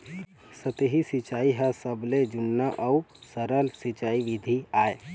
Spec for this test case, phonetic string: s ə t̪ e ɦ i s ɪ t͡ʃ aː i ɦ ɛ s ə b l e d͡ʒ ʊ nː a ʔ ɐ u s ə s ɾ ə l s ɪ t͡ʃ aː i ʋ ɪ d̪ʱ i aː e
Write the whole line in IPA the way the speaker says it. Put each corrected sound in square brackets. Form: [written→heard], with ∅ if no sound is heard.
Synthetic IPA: s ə t̪ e ɦ i s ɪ t͡ʃ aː i ɦ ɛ s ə b l e d͡ʒ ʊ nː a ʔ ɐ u s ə [s→∅] ɾ ə l s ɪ t͡ʃ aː i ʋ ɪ d̪ʱ i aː e